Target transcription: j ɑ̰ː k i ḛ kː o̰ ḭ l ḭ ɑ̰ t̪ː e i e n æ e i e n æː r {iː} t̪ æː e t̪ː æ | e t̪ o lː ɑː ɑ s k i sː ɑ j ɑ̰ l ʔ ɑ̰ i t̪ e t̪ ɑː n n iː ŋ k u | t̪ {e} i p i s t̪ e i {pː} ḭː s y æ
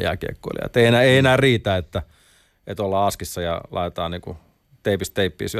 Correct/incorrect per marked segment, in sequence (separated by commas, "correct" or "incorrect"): correct, correct, correct